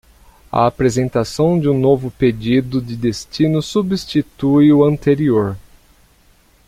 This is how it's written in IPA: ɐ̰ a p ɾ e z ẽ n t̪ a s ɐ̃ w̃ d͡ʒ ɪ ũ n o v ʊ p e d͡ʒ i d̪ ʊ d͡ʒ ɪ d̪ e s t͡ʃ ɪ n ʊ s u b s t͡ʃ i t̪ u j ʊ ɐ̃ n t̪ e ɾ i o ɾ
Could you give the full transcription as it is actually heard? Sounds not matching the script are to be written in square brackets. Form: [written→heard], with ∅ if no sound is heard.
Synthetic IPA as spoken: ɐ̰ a p ɾ e z ẽ n t̪ a s ɐ̃ w̃ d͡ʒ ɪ ũ n o v ʊ p e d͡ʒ i d̪ ʊ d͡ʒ ɪ d̪ e s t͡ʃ [ɪ→i] n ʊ s u b s t͡ʃ i t̪ u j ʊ ɐ̃ n t̪ e ɾ i o ɾ